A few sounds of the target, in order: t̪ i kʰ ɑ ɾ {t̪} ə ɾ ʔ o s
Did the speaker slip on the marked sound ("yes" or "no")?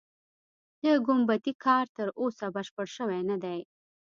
no